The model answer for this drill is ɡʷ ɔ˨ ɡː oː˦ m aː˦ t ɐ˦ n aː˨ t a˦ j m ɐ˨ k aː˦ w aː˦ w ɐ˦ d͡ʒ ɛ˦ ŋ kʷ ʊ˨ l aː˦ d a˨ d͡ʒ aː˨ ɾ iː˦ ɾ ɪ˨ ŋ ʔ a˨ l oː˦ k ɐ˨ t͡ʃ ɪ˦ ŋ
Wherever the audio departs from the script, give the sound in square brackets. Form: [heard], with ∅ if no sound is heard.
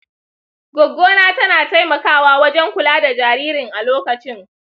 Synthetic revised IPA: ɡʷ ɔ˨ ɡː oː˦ [n] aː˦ t ɐ˦ n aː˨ t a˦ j m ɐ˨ k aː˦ w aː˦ w ɐ˦ d͡ʒ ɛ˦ ŋ kʷ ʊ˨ l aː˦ d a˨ d͡ʒ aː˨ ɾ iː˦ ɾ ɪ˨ ŋ ʔ a˨ l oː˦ k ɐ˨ t͡ʃ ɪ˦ ŋ